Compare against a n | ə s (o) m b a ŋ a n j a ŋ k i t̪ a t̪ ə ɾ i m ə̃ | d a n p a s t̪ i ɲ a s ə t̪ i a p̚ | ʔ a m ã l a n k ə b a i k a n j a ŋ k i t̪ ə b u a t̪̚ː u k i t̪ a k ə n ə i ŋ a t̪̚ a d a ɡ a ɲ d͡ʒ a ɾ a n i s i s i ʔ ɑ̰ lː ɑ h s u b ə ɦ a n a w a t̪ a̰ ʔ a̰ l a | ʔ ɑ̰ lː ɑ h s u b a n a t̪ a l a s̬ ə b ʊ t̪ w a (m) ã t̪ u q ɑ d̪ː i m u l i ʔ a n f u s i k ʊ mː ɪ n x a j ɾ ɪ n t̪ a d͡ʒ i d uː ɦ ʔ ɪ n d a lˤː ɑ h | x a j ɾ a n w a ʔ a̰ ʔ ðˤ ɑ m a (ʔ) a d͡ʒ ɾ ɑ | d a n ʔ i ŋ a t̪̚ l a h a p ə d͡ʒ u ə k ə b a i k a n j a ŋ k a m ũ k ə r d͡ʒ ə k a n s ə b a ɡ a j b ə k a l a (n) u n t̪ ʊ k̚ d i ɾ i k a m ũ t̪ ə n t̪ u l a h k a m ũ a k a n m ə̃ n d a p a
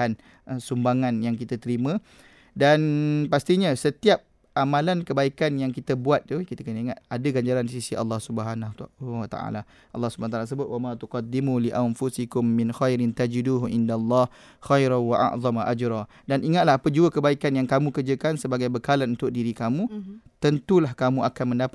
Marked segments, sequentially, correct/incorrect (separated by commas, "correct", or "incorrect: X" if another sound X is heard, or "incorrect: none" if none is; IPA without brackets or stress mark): incorrect: u, correct, correct, correct